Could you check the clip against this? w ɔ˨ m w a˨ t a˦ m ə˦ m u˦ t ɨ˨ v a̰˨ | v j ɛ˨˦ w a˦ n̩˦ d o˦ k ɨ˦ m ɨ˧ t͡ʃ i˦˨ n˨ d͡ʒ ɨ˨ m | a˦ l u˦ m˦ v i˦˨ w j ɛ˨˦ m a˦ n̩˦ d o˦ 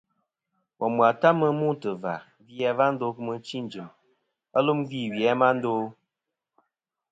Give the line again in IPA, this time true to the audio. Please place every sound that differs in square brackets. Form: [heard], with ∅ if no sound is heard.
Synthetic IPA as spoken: w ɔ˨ m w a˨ t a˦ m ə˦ m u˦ t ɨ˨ v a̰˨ | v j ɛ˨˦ [v] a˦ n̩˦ d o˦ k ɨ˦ m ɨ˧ t͡ʃ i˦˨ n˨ d͡ʒ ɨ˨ m | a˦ l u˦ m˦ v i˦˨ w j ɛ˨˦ m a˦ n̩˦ d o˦